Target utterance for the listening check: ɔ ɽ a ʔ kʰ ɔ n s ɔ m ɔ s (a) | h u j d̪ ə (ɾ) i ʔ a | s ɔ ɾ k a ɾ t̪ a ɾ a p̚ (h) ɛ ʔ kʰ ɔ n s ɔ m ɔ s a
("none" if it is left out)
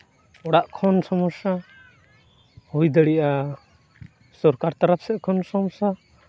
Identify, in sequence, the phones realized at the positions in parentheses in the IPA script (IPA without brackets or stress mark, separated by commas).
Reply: a, ɽ, s